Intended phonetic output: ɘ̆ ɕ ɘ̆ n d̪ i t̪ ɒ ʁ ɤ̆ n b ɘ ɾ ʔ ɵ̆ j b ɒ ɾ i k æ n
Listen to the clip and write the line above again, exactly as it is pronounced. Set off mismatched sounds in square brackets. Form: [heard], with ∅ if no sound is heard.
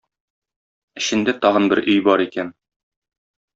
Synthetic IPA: ɘ̆ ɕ ɘ̆ n d̪ [æ] t̪ ɒ ʁ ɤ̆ n b ɘ ɾ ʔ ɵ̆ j b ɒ ɾ i k æ n